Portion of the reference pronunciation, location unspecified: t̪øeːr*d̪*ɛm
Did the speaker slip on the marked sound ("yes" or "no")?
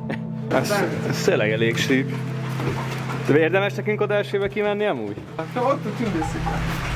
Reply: no